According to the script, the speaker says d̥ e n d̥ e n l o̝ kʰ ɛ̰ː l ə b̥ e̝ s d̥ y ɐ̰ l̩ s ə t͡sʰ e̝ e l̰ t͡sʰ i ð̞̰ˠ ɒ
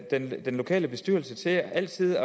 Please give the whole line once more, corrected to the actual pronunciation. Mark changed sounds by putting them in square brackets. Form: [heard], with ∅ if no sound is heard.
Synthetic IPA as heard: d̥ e n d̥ e n l o̝ kʰ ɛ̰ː l ə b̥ e̝ s d̥ y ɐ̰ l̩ s ə t͡sʰ e̝ [æ] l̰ t͡sʰ i ð̞̰ˠ ɒ